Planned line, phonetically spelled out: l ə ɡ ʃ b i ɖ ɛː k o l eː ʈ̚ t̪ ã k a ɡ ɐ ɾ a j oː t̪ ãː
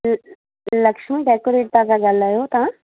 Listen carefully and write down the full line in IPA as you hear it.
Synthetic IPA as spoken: l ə k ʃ m i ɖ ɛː k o ɾ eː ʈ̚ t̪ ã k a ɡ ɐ l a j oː t̪ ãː